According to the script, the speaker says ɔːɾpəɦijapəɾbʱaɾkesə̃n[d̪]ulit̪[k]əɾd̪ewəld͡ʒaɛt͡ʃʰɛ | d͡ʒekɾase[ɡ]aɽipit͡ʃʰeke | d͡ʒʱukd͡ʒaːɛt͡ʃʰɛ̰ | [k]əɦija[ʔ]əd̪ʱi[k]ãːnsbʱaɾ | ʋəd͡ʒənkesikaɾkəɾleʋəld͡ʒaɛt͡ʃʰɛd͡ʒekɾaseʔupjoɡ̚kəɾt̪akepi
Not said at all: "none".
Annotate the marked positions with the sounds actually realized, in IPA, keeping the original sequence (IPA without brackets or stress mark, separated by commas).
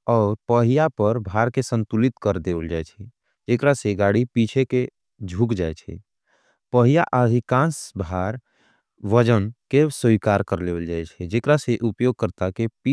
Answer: t̪, k, ɡ, p, ʔ, k